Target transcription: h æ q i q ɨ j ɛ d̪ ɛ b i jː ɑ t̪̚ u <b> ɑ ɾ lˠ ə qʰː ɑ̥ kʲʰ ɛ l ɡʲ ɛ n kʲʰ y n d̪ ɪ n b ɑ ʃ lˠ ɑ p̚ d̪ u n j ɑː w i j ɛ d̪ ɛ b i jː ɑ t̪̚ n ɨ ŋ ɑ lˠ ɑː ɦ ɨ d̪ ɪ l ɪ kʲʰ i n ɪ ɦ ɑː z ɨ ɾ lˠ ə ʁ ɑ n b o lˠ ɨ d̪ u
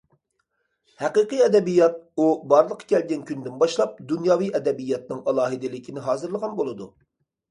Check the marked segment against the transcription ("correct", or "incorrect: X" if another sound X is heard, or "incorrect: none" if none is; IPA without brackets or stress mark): correct